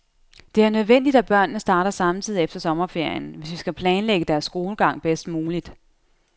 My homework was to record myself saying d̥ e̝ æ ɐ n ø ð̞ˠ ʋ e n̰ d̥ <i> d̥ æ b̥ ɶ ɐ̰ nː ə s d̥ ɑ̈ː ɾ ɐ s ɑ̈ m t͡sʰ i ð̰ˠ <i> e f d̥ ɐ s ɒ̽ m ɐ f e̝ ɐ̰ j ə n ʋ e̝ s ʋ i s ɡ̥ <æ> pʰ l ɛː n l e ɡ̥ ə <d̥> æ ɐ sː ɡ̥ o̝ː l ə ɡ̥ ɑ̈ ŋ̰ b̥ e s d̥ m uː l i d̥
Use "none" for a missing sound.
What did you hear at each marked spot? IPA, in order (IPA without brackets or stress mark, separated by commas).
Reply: i, i, æ, d̥